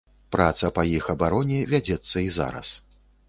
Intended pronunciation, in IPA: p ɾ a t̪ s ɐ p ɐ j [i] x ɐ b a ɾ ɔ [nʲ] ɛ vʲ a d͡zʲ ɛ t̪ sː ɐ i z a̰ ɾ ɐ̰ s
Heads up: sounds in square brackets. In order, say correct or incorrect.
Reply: correct, correct

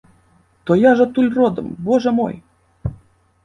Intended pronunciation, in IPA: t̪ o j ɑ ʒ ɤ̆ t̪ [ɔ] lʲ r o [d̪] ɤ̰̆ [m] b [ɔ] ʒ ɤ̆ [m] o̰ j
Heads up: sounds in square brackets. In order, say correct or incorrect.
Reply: incorrect, correct, correct, incorrect, correct

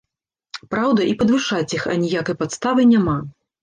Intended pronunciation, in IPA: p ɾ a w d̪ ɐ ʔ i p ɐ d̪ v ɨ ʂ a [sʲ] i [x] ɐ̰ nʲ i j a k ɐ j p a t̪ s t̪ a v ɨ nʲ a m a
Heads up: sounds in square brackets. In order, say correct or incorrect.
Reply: incorrect, correct

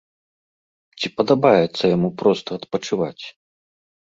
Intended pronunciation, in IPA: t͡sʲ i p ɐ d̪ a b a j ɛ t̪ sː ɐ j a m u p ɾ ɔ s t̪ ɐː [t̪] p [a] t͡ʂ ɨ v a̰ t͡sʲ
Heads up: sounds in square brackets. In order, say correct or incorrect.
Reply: correct, incorrect

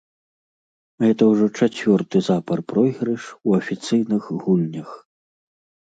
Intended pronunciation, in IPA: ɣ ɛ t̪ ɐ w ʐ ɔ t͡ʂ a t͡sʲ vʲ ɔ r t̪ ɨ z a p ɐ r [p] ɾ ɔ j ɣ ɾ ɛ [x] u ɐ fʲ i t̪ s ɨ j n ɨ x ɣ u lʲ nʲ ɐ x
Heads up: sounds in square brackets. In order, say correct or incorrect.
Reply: correct, incorrect

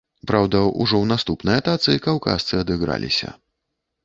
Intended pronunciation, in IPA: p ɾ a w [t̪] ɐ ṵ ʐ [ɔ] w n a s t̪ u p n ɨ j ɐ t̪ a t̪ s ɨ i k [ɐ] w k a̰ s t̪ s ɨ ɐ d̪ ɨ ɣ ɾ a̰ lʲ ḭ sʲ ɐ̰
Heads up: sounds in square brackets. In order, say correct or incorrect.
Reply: incorrect, correct, incorrect

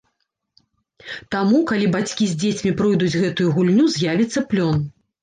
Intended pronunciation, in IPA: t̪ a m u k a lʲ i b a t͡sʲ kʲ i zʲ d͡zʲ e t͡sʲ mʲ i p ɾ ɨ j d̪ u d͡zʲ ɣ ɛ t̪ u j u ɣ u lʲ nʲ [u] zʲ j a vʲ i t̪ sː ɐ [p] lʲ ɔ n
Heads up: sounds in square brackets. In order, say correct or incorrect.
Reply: correct, correct

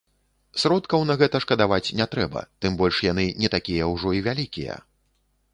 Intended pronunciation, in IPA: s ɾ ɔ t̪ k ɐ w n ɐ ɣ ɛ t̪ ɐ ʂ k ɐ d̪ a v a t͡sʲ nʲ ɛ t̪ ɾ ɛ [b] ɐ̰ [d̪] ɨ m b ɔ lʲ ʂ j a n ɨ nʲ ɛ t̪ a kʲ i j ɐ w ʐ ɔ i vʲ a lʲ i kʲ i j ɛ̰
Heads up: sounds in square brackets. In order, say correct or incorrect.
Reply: correct, incorrect

